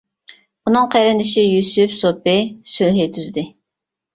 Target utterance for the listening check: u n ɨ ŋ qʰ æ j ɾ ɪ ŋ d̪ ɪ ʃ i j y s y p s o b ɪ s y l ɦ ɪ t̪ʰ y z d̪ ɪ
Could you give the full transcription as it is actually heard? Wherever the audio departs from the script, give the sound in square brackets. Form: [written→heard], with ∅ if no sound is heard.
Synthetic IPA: u n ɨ ŋ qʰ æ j ɾ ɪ [ŋ→n] d̪ ɪ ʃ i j y s y p s o [b→p] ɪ s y l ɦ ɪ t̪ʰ y z d̪ ɪ